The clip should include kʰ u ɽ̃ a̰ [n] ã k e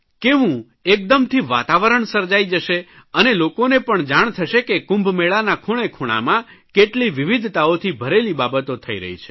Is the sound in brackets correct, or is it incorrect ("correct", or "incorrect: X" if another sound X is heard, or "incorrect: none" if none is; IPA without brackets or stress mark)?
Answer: incorrect: m